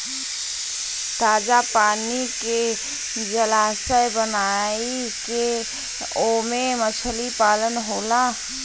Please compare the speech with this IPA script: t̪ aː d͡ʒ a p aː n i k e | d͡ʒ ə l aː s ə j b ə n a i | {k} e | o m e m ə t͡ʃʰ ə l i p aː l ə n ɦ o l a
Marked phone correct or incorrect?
correct